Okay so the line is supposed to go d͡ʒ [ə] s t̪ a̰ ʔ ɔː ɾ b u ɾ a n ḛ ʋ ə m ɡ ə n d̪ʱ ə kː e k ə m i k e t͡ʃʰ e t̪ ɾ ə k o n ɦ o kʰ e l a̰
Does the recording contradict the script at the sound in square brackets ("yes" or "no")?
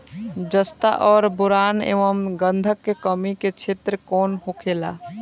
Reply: no